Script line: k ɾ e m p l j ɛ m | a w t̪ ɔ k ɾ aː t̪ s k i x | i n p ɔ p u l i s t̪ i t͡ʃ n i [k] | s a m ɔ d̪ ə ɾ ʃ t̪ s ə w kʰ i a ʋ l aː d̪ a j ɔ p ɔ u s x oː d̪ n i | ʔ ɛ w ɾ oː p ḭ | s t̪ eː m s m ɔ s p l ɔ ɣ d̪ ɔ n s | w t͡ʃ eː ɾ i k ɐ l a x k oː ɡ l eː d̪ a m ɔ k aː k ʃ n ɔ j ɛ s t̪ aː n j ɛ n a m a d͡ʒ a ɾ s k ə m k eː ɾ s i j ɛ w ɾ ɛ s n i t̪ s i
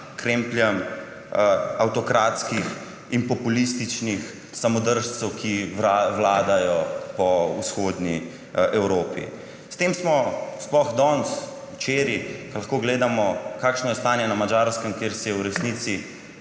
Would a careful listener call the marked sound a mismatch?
yes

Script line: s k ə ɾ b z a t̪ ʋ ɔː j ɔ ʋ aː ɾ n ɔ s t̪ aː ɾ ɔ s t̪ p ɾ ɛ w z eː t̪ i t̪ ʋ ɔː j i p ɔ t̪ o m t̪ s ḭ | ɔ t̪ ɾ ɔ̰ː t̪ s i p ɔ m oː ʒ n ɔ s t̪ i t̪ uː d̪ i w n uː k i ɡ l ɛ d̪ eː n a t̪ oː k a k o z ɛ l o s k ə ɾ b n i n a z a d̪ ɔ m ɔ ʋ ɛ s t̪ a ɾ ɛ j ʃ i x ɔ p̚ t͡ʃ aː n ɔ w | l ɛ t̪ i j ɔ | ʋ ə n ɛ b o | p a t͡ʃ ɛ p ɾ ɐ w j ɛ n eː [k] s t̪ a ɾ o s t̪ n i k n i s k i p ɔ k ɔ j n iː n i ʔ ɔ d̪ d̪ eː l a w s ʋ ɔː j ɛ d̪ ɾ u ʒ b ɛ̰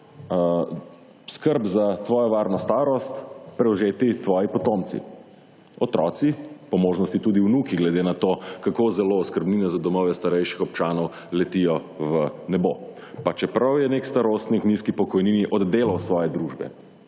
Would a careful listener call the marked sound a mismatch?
no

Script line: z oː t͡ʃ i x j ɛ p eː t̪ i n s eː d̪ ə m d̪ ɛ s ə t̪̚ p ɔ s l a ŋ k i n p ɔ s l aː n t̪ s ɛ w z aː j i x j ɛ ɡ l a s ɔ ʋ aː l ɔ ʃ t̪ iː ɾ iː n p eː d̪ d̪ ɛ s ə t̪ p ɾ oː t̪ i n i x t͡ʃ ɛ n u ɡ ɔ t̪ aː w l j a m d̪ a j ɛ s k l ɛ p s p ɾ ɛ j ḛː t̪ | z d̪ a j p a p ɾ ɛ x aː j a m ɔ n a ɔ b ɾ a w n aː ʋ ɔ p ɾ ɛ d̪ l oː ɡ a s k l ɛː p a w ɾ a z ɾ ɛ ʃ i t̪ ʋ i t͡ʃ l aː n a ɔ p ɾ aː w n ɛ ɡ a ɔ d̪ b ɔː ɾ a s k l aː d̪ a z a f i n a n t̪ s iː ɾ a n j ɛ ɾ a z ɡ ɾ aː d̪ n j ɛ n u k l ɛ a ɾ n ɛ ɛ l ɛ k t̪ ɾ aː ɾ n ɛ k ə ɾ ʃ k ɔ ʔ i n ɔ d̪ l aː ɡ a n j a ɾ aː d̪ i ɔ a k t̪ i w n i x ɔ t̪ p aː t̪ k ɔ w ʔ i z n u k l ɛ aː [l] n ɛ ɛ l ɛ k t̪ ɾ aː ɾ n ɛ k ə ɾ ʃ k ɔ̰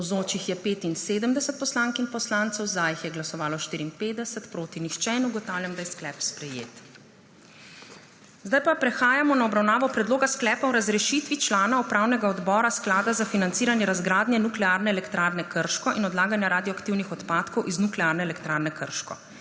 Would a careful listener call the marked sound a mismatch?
yes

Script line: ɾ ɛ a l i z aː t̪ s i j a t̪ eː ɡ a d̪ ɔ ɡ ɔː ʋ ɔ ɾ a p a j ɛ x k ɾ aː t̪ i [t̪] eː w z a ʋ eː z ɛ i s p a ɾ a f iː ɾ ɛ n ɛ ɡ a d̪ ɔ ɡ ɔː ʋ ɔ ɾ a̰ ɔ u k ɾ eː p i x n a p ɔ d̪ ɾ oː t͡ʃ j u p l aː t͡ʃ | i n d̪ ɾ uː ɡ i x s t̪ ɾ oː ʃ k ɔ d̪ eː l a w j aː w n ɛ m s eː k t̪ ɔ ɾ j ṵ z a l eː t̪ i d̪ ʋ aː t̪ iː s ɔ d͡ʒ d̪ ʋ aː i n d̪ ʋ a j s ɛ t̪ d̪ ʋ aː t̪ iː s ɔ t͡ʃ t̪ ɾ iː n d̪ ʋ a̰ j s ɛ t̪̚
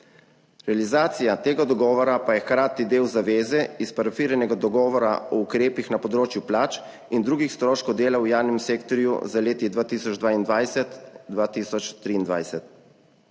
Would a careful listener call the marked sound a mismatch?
yes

